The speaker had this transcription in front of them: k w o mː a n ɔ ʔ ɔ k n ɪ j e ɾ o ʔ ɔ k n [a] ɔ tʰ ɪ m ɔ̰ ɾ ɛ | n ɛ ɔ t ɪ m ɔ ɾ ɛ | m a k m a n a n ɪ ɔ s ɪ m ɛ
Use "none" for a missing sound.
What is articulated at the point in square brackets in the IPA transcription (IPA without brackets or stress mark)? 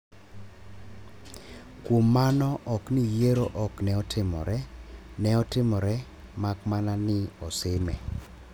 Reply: ɛ